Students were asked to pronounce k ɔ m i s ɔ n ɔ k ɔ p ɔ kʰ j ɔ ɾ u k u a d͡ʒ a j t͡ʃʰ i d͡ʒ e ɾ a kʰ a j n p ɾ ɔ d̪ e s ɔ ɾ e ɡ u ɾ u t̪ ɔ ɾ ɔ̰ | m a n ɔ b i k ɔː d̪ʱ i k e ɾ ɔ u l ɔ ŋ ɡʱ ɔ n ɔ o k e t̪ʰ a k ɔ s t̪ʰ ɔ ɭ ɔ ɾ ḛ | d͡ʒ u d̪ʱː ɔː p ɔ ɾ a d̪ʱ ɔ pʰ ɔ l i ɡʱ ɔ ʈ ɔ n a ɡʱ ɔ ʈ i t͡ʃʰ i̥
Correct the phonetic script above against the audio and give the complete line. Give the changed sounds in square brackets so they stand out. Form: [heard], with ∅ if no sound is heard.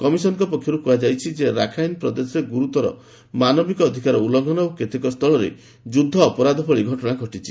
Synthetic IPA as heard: k ɔ m i s ɔ n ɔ k ɔ p ɔ kʰ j ɔ ɾ u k u a d͡ʒ a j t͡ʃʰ i d͡ʒ e ɾ a kʰ a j n p ɾ ɔ d̪ e s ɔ ɾ e ɡ u ɾ u t̪ ɔ ɾ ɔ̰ | m a n ɔ b i k ɔː d̪ʱ i k [a] ɾ ɔ u l ɔ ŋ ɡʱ ɔ n ɔ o k e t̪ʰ [e] k ɔ s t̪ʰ ɔ ɭ ɔ ɾ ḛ | d͡ʒ u d̪ʱː ɔː p ɔ ɾ a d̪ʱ ɔ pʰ ɔ [ɭ] i ɡʱ ɔ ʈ ɔ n a ɡʱ ɔ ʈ i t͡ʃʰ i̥